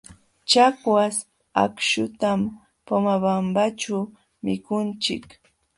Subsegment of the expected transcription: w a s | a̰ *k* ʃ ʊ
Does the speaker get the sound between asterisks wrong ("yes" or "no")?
no